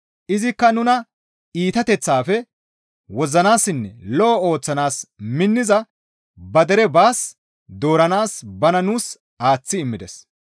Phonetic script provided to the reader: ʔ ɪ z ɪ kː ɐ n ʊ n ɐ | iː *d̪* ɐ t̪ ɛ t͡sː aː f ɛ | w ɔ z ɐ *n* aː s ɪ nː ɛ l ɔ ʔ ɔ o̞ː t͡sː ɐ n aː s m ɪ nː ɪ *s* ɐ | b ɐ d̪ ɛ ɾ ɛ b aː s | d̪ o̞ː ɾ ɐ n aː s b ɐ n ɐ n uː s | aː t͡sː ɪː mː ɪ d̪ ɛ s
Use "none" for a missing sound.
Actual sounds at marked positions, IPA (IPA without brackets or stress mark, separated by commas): t̪, n, z